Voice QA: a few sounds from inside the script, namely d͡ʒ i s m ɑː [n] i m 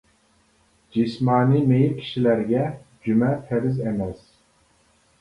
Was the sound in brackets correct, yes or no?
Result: yes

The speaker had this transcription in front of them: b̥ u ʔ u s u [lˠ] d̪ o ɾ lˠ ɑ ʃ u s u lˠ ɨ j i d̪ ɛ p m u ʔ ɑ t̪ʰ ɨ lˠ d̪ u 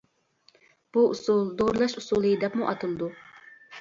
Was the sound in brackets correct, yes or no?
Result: yes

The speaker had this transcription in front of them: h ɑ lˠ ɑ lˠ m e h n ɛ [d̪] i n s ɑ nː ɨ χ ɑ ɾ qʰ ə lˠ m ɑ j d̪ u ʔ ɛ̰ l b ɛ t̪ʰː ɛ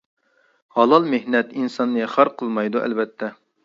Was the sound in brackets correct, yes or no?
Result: no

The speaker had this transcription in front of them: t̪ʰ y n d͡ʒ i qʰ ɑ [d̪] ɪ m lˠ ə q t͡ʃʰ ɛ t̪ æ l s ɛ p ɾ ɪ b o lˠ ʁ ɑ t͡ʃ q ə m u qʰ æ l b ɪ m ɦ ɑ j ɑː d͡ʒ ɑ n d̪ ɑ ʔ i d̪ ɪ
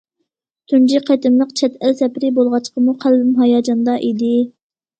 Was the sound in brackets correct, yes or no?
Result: no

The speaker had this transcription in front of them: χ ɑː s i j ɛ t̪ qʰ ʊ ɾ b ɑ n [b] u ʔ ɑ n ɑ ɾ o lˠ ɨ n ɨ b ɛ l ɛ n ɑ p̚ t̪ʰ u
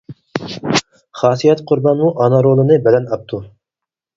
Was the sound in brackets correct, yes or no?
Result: no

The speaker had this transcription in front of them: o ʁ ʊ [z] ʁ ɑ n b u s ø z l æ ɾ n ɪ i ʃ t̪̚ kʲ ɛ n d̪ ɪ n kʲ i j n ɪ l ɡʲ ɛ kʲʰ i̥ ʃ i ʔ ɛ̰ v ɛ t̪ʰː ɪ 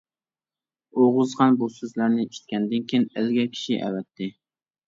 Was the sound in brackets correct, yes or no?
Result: yes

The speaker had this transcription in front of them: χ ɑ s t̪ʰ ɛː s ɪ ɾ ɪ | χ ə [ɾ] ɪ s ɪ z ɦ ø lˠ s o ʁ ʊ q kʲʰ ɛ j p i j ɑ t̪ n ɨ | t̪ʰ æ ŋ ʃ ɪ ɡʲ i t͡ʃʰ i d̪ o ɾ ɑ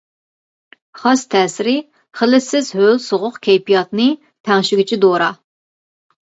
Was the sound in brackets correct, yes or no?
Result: no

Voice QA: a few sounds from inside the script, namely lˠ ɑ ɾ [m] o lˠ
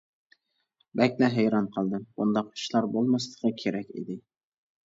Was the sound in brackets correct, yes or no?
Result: no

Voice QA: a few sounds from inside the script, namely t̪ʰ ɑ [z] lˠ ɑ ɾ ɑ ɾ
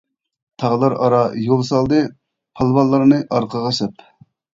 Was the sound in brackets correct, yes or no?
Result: no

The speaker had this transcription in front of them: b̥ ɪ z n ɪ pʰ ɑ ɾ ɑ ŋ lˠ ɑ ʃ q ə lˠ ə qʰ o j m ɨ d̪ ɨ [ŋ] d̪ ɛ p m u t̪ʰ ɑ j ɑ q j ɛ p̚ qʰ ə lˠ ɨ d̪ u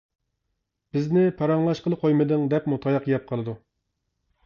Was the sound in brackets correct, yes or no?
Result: yes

